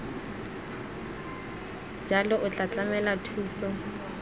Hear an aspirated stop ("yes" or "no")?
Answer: yes